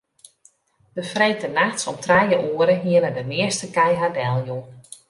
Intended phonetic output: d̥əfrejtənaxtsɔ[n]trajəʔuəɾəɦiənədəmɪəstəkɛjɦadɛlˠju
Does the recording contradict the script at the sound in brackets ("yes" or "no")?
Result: yes